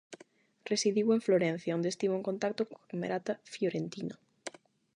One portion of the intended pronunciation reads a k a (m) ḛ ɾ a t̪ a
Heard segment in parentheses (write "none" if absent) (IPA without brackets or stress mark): m